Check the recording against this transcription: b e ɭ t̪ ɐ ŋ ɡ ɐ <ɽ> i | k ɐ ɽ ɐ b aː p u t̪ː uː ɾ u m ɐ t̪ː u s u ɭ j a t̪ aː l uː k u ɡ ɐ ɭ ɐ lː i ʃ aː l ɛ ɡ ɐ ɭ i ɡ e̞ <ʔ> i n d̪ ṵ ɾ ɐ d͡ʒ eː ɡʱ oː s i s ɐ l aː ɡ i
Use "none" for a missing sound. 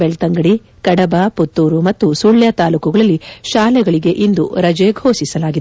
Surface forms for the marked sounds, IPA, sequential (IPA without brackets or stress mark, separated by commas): ɽ, ʔ